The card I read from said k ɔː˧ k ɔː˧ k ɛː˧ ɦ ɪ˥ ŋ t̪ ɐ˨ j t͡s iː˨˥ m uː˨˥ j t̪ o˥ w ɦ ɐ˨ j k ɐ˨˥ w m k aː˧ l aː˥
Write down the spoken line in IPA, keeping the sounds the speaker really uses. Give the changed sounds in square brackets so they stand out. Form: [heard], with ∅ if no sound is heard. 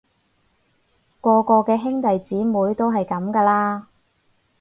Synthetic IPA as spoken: k ɔː˧ k ɔː˧ k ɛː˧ ɦ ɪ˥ ŋ t̪ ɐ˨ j t͡s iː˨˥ m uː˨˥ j t̪ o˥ w ɦ ɐ˨ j k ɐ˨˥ [∅] m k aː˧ l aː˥